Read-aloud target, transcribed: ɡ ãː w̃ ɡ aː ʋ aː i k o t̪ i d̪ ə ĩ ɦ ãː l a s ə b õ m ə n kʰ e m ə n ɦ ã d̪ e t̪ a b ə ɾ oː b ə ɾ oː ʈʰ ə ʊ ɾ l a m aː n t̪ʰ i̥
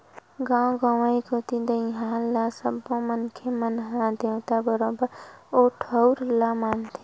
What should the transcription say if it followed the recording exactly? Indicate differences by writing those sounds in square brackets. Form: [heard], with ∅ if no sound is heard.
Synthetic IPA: ɡ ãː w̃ ɡ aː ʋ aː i k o t̪ i d̪ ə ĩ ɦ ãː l a s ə b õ m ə n kʰ e m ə n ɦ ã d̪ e t̪ a b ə ɾ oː b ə ɾ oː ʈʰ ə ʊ ɾ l a m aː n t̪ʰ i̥